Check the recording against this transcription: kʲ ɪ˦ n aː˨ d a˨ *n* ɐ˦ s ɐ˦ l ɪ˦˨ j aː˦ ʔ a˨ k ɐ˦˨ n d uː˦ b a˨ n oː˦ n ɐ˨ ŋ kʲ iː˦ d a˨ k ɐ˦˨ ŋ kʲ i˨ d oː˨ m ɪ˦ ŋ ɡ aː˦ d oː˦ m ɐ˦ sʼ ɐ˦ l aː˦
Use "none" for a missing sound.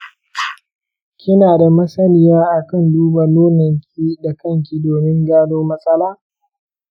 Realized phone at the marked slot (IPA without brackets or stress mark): m